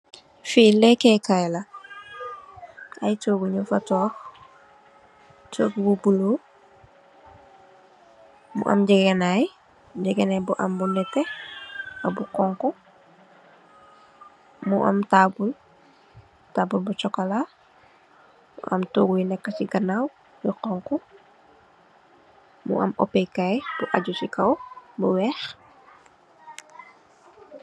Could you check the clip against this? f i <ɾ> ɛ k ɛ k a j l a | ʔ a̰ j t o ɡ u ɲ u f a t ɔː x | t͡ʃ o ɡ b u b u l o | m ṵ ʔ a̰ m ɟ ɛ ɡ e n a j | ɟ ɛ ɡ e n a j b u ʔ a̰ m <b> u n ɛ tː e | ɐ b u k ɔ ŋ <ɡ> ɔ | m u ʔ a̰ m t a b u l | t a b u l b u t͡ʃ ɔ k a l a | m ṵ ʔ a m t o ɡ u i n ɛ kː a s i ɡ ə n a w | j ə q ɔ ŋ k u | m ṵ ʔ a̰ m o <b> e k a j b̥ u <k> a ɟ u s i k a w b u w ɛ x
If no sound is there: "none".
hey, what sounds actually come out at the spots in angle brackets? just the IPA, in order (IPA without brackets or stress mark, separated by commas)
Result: l, b, k, p, ʔ